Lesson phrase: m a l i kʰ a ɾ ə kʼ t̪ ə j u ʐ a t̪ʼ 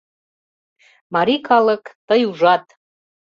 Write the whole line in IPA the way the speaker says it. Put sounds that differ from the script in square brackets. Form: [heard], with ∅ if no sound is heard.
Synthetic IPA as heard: m a [ɾ] i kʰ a [l] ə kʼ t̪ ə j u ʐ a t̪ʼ